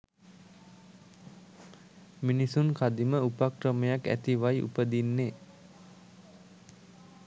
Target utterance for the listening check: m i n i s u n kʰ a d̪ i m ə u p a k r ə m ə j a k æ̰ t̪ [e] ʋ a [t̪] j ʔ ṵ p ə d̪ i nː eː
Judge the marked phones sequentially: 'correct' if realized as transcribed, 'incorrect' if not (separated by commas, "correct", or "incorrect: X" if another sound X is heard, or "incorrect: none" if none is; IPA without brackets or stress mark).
incorrect: i, incorrect: none